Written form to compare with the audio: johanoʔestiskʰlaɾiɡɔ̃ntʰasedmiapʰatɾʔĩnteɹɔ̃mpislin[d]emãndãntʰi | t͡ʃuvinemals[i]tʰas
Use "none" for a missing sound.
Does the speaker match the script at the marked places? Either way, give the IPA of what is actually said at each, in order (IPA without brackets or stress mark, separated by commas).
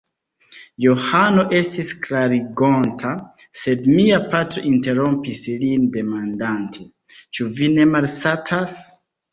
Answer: d, a